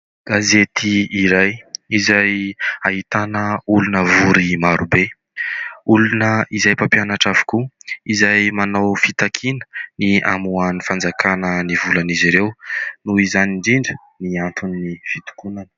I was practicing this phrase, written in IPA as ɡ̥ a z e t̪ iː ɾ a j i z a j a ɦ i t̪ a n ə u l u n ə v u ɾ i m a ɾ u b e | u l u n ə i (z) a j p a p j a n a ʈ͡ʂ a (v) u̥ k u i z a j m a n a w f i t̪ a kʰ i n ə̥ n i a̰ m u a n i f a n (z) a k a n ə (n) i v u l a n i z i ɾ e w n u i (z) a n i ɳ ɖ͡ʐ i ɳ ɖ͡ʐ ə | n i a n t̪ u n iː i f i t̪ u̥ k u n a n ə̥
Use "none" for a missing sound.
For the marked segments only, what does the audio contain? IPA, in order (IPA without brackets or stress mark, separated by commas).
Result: z, v, d͡z, n, z